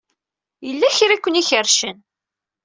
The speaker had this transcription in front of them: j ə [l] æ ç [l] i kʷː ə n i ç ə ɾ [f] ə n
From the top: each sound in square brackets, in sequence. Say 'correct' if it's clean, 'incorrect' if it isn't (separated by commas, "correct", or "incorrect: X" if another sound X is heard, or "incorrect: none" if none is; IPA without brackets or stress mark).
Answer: incorrect: lː, incorrect: ɾ, incorrect: ʃ